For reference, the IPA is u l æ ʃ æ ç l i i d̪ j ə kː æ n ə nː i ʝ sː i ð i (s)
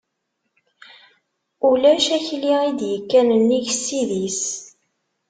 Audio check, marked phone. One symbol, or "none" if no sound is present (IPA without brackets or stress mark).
s